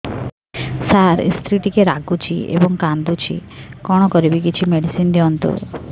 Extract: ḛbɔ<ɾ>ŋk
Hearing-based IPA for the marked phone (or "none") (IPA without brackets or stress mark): none